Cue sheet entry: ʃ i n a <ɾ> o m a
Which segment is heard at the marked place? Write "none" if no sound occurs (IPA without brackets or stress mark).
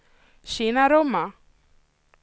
ɾ